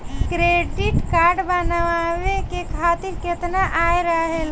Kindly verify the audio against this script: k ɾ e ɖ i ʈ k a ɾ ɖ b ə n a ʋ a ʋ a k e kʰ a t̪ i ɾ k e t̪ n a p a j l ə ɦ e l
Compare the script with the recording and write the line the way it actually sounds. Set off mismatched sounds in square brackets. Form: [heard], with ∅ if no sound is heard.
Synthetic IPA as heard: k ɾ e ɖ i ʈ k a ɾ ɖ b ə n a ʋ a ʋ [e] k e kʰ a t̪ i ɾ k e t̪ n a [ʔ] a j [ɾ] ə ɦ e l